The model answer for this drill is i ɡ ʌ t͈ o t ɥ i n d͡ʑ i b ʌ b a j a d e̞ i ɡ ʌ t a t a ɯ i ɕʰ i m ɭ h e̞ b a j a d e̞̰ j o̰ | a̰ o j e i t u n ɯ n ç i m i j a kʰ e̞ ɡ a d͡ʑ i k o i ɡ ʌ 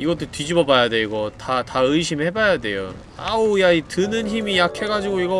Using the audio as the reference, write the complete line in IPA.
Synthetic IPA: i ɡ ʌ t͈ o t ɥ i d͡ʑ i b ʌ b a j a d e̞ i ɡ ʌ t a t a ɯ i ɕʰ i m ɭ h e̞ b a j a d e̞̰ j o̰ | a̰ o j a i t ɯ n ɯ n ç i m i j a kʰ e̞ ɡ a d͡ʑ i ɡ o i ɡ ʌ